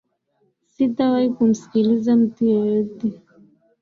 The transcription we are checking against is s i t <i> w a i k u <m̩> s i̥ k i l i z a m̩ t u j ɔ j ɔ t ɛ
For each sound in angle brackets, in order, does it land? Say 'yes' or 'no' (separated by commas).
no, yes